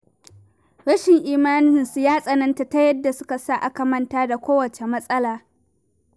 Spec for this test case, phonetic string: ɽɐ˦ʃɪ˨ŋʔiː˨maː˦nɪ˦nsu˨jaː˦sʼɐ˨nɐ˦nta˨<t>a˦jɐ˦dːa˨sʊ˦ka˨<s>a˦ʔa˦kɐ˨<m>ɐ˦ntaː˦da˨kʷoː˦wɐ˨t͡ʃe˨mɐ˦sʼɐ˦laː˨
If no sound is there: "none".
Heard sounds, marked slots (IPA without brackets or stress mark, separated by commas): t, s, m